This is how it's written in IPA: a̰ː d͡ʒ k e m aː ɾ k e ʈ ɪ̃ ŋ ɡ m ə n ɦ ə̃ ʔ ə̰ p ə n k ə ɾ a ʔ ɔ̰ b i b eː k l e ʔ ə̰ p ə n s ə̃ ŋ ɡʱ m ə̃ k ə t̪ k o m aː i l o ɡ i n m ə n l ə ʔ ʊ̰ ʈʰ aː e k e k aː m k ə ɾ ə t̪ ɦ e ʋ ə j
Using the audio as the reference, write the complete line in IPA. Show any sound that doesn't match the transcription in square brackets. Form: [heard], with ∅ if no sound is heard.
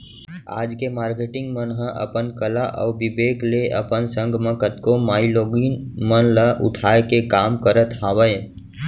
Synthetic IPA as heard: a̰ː d͡ʒ k e m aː ɾ k e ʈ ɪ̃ ŋ ɡ m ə n ɦ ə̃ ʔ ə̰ p ə n k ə [l] a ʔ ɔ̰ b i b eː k l e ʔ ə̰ p ə n s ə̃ ŋ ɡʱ m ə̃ k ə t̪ k o m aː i l o ɡ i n m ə n l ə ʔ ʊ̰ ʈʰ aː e k e k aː m k ə ɾ ə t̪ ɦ [a] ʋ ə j